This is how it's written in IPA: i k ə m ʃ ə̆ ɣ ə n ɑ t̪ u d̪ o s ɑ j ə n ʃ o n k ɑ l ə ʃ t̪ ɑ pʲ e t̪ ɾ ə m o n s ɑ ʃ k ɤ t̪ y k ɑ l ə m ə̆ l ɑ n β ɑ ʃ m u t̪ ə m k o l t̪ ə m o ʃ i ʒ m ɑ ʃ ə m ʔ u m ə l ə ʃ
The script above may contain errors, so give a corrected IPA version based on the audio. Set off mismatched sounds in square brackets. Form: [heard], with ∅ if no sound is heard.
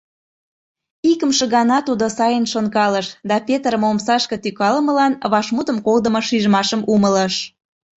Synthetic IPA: i k ə m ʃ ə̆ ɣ [ɑ] n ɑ t̪ u d̪ o s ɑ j ə n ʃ o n k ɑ l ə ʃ [d̪] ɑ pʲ e t̪ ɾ ə m o [m] s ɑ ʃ k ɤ t̪ y k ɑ l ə m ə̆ l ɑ n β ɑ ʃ m u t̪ ə m k o l [d̪] ə m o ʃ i ʒ m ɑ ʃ ə m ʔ u m ə l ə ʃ